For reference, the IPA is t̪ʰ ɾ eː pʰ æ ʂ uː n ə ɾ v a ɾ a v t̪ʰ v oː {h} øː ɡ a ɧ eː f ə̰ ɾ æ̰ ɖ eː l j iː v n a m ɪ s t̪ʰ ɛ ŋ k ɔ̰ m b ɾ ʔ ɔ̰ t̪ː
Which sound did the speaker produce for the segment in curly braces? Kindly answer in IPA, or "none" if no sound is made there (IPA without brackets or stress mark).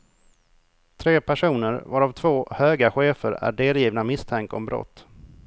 h